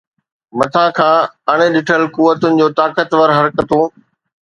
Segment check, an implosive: present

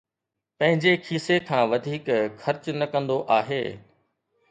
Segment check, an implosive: absent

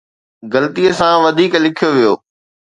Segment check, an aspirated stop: present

